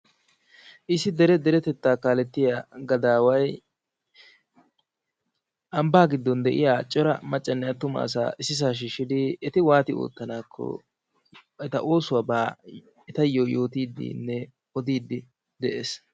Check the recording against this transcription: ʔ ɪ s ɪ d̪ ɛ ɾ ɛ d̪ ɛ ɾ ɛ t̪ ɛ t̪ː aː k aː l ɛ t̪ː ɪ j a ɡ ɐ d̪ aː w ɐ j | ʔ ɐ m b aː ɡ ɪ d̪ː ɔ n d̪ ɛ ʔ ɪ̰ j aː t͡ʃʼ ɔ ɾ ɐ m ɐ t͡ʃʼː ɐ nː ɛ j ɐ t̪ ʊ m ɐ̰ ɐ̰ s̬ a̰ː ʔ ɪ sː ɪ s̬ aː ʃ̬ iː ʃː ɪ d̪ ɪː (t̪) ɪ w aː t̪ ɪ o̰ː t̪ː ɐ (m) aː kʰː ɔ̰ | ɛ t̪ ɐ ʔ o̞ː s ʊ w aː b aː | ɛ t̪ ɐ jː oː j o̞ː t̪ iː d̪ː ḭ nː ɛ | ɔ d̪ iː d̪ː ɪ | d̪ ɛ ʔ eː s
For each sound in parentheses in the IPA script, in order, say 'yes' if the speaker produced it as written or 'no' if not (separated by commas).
yes, no